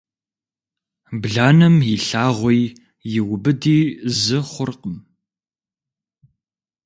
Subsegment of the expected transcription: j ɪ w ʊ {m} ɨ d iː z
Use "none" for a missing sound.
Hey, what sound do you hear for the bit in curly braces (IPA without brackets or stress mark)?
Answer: b